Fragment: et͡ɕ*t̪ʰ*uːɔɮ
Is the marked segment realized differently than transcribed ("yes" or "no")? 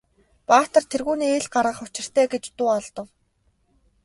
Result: yes